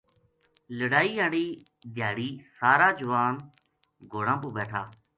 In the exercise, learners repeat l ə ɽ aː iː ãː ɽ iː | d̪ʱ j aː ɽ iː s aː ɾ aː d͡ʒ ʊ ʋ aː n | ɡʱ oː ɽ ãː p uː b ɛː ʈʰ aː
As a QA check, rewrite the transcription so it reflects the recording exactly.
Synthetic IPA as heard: l ə ɽ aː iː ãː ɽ iː | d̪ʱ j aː ɽ iː s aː ɾ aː d͡ʒ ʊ ʋ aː n | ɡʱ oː ɽ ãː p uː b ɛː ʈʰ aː